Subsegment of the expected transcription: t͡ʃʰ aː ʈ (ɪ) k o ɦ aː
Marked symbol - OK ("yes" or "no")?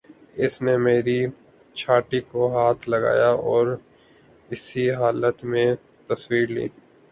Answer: no